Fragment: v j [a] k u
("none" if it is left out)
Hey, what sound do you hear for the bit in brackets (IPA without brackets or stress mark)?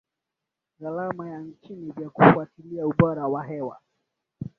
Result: a